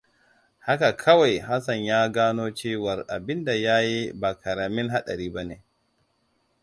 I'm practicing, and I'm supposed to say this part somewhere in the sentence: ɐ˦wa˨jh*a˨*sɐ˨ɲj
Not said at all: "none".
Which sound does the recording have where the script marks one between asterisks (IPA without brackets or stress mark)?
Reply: a˦